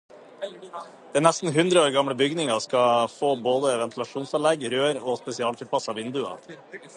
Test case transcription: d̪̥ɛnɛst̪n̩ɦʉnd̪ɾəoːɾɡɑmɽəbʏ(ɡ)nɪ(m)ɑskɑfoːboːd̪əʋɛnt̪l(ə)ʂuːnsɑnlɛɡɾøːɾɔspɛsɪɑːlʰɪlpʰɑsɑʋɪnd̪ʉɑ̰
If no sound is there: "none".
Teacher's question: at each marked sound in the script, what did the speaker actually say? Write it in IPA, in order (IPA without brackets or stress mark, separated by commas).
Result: ɡ, ŋ, ɑ